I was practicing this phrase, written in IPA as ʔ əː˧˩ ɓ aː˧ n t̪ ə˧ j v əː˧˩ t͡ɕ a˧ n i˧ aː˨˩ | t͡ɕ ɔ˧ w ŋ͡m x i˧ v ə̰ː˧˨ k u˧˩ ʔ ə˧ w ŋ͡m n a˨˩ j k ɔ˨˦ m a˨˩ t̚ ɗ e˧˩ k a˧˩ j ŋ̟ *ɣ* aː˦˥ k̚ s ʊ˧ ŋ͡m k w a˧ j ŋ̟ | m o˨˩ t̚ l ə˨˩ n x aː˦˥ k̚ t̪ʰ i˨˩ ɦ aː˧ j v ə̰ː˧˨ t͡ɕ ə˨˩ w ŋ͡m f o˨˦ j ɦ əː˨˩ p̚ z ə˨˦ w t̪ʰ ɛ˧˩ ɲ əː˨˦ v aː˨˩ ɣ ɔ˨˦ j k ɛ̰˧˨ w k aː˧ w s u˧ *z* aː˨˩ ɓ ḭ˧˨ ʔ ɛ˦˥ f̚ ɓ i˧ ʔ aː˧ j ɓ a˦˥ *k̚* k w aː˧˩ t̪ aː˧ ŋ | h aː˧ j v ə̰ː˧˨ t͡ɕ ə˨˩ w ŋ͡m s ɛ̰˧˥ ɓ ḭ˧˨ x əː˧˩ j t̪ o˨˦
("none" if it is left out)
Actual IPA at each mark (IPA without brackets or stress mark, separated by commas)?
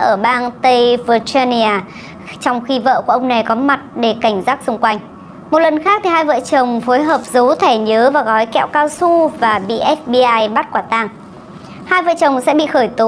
z, v, t̚